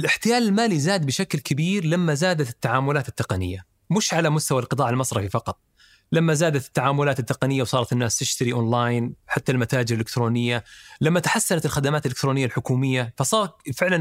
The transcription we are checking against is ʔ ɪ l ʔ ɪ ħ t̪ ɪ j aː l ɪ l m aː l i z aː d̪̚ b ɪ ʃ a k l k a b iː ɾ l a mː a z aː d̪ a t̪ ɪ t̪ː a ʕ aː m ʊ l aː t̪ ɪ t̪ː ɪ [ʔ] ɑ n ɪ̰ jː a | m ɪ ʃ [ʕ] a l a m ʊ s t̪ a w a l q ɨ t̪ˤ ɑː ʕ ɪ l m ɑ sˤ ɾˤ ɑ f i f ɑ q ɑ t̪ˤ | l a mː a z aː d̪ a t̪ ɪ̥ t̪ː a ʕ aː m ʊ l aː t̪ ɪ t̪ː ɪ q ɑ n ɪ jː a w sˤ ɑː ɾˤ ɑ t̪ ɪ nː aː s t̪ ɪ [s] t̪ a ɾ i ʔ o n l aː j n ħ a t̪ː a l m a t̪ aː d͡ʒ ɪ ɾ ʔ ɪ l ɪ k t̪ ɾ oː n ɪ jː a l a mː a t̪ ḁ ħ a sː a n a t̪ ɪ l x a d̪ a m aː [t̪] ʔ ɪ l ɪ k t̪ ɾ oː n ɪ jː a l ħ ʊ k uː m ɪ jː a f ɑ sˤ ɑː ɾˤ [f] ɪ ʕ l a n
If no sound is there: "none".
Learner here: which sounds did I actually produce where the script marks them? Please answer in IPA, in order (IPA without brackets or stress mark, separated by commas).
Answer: q, ʕ, ʃ, t̪, f